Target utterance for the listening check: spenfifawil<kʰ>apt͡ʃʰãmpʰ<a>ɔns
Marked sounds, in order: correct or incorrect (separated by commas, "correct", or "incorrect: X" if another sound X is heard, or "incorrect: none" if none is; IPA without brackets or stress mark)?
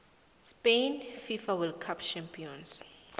correct, incorrect: i